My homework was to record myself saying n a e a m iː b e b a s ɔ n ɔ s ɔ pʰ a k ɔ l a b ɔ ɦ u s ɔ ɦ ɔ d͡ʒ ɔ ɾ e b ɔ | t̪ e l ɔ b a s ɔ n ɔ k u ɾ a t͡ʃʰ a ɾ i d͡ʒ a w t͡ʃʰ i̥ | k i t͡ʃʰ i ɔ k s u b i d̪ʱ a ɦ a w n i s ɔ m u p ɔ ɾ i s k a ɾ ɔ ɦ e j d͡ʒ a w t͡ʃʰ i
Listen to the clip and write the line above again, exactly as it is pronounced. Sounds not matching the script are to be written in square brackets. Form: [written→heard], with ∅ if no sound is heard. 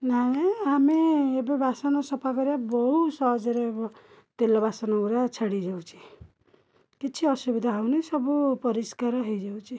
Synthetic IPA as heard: n a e a m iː b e b a s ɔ n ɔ s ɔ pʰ a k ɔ [l→ɾ] a b ɔ ɦ u s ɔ ɦ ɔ d͡ʒ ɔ ɾ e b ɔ | t̪ e l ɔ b a s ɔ n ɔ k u ɾ a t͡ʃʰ a [ɾ→ɽ] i d͡ʒ a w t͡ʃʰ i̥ | k i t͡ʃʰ i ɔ [k→∅] s u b i d̪ʱ a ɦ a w n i s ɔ [m→b] u p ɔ ɾ i s k a ɾ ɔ ɦ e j d͡ʒ a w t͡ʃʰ i